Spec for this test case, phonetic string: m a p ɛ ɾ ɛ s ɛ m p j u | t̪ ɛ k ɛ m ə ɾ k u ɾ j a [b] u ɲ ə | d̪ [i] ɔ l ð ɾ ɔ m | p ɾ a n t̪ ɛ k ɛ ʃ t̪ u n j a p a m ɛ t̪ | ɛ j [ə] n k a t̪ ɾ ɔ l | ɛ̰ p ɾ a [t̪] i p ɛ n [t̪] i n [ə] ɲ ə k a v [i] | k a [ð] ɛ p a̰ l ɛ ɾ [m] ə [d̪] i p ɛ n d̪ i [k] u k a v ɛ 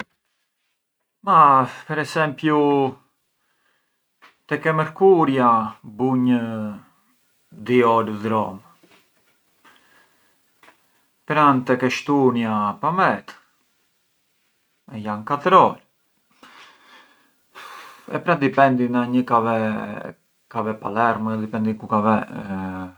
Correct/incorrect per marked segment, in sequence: correct, correct, incorrect, incorrect, incorrect, incorrect, incorrect, incorrect, correct, correct, correct

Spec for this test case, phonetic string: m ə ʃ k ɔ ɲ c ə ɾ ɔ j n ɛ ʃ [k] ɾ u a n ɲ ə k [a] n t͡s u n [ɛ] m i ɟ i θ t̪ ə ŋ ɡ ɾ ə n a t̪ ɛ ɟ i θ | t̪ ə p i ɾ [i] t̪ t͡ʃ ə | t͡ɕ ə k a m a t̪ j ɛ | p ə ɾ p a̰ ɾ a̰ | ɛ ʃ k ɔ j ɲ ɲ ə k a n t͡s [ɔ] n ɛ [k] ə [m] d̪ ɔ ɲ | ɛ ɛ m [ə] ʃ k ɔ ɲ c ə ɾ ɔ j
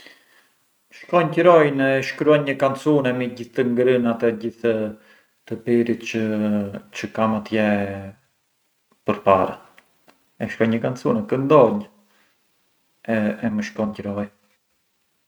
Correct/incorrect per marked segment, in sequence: correct, correct, correct, correct, incorrect, correct, incorrect, correct

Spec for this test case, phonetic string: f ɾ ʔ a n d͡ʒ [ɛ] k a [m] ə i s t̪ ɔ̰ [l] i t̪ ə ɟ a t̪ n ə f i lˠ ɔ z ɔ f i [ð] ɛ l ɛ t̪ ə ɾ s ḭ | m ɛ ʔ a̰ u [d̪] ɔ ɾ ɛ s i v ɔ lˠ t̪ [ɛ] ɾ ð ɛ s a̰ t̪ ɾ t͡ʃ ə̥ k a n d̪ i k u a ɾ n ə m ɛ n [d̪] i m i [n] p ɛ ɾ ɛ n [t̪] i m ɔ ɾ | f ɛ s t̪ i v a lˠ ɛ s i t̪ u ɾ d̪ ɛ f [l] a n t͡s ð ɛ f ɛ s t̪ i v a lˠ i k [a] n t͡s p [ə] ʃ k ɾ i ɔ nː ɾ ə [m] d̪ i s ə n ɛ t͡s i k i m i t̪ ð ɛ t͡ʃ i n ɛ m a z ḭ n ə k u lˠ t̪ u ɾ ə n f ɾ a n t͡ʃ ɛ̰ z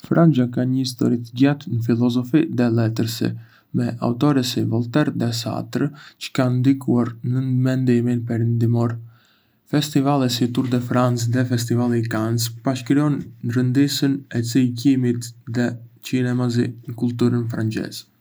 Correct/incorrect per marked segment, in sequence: incorrect, incorrect, incorrect, correct, incorrect, correct, correct, correct, incorrect, incorrect, correct, incorrect, incorrect

